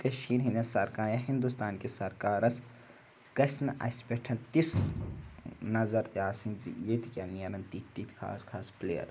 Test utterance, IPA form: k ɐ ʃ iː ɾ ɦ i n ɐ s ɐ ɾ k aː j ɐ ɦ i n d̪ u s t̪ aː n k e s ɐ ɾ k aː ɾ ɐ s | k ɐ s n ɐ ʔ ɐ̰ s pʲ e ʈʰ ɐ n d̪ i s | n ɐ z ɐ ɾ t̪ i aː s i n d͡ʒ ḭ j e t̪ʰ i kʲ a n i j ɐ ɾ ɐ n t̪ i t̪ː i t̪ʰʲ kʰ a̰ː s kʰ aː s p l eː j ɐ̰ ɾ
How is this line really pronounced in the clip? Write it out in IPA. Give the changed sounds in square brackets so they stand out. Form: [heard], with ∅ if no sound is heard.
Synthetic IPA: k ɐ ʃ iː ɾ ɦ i n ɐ s ɐ ɾ k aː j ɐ ɦ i n d̪ u s t̪ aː n k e s ɐ ɾ k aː ɾ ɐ s | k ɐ s n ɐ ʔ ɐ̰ s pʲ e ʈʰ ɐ n [t̪] i s | n ɐ z ɐ ɾ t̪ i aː s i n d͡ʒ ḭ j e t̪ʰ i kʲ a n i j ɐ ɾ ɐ n t̪ i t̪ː i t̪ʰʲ kʰ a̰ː s kʰ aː s p l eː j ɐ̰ ɾ